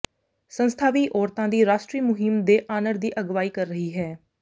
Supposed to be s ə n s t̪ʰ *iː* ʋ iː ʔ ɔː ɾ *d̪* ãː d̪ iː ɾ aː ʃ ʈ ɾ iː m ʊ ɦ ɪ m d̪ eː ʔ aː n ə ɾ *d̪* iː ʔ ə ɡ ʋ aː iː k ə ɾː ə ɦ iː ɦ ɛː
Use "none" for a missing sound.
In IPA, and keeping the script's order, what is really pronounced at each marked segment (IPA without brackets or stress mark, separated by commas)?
aː, t̪, d̪